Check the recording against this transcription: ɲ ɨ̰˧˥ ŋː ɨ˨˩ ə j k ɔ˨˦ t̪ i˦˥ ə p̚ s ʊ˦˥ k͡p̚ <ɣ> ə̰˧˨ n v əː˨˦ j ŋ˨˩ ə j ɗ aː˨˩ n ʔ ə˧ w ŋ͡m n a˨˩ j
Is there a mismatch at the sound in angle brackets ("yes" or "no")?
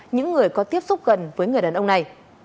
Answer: no